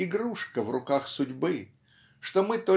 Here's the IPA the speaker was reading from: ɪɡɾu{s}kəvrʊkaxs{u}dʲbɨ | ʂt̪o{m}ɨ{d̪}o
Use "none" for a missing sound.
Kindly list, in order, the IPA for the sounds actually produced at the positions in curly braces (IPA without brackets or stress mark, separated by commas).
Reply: ʂ, ʊ, m, t̪